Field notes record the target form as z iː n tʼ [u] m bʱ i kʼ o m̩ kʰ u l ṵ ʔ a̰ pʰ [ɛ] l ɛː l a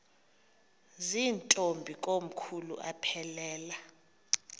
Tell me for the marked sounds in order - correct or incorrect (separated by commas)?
incorrect, correct